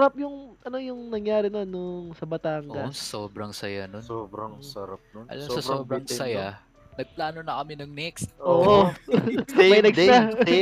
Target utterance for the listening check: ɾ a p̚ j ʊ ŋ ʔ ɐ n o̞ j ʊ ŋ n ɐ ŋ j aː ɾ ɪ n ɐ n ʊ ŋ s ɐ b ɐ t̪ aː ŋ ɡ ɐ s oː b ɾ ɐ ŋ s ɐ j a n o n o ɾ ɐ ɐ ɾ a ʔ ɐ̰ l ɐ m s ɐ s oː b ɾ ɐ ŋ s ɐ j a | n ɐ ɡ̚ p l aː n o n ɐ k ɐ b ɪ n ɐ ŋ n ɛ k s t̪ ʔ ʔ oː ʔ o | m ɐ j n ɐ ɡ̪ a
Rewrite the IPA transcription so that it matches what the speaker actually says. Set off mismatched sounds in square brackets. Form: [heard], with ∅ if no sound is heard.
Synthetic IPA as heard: ɾ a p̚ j ʊ ŋ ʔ ɐ n o̞ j ʊ ŋ n ɐ ŋ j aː ɾ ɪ n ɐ n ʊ ŋ s ɐ b ɐ t̪ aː ŋ ɡ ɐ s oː b ɾ ɐ ŋ s ɐ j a n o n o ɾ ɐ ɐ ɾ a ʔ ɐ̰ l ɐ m s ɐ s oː b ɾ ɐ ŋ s ɐ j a | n ɐ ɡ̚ p l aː n o n ɐ k ɐ [m] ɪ n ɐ ŋ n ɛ k s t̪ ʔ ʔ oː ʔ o | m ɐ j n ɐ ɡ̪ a